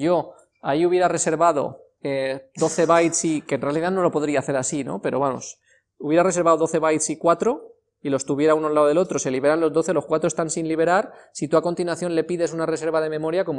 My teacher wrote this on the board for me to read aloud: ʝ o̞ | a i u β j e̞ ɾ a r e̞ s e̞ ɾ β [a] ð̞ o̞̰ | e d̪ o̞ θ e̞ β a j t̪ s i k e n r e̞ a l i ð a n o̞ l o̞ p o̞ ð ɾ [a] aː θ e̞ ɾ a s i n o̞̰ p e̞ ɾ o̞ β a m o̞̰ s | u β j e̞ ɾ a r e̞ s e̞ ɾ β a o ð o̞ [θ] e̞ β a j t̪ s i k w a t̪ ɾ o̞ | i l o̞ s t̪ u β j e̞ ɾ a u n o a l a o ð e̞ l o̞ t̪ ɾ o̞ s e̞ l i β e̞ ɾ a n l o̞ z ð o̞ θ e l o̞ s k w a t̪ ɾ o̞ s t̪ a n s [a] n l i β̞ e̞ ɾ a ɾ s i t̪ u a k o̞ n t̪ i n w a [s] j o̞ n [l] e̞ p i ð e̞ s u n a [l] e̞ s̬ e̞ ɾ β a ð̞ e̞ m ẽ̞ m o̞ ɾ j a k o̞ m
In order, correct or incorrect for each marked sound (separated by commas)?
correct, incorrect, correct, incorrect, incorrect, correct, incorrect